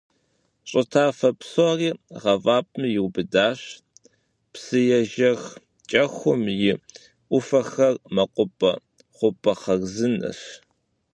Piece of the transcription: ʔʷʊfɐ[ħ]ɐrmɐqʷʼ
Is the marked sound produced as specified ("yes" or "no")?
no